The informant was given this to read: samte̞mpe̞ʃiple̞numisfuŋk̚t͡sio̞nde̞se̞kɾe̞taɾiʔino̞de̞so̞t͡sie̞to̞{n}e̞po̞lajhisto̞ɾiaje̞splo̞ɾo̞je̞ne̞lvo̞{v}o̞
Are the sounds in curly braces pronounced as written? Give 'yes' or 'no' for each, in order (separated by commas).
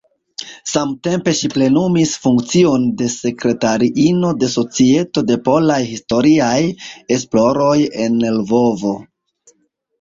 no, yes